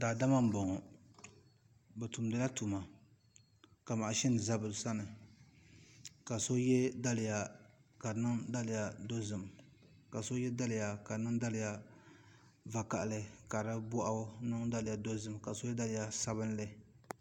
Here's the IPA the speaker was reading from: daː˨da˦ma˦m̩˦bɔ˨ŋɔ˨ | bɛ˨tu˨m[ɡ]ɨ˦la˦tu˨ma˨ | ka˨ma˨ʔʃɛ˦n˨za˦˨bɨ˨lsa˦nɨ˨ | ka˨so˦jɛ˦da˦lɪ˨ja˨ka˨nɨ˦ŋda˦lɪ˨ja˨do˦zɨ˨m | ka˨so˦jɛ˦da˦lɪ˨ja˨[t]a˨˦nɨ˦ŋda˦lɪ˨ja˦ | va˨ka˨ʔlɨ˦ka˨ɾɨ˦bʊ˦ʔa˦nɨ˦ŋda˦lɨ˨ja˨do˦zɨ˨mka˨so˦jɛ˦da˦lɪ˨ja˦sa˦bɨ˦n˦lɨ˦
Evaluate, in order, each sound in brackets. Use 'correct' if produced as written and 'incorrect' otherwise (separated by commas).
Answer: incorrect, incorrect